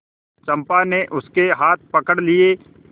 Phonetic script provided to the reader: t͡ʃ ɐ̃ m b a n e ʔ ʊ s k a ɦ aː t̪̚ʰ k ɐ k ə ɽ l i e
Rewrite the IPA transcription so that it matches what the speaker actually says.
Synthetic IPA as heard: t͡ʃ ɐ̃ m p a n e ʔ ʊ s k e ɦ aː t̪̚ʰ p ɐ k ə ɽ l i e